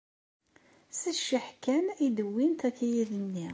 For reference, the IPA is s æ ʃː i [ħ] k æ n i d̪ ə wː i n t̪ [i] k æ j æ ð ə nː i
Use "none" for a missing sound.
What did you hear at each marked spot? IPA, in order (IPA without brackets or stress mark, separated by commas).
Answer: ħ, æ